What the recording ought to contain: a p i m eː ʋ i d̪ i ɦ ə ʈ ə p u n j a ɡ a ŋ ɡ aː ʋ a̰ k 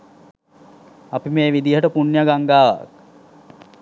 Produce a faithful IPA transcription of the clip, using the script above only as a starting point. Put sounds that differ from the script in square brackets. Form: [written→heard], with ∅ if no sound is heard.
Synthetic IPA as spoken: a p i m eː ʋ i d̪ i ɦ ə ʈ ə p u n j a ɡ a ŋ ɡ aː ʋ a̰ k